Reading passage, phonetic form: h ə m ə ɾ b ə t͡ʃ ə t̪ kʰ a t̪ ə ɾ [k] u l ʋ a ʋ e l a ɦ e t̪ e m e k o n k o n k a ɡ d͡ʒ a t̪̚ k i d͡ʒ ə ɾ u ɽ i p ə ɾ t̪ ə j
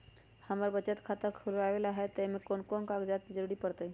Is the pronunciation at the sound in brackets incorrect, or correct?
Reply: incorrect